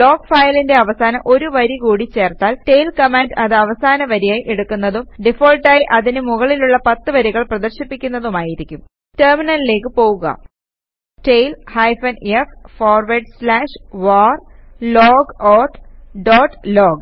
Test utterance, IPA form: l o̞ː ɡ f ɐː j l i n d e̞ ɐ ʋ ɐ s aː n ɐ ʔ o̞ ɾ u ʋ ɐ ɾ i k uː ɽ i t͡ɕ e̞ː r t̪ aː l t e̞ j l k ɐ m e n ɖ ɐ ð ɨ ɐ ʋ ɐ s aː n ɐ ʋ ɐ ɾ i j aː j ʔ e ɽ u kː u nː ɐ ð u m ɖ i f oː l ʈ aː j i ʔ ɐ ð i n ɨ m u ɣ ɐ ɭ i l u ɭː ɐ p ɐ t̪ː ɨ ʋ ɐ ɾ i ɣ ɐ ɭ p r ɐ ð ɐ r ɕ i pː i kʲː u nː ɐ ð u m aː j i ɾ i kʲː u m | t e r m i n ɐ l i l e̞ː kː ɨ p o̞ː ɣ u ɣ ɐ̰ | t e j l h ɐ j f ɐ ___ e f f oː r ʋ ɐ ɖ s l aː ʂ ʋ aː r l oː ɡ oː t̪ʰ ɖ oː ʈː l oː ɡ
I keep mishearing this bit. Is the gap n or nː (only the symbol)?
n